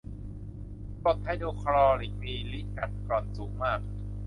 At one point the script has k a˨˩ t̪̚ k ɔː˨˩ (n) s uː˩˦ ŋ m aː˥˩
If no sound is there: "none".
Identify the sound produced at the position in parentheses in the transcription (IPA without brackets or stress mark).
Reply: n